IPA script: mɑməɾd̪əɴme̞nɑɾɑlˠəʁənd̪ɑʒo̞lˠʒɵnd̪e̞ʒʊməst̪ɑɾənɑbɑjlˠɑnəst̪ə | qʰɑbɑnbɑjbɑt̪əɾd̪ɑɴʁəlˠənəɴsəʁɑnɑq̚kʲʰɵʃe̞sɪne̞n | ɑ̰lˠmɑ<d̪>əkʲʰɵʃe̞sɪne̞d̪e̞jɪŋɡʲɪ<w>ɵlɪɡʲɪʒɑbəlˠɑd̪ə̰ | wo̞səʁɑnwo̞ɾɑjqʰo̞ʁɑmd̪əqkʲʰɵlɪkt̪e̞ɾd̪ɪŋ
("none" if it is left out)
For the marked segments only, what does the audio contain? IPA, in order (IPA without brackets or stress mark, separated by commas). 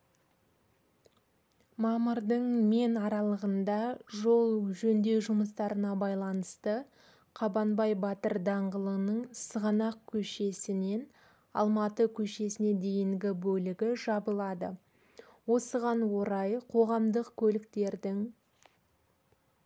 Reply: t̪, b